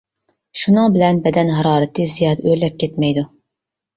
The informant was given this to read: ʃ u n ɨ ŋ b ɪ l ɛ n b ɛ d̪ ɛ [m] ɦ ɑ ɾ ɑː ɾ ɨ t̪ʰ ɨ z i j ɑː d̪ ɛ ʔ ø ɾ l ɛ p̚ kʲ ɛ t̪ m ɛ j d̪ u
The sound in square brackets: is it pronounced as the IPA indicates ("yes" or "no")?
no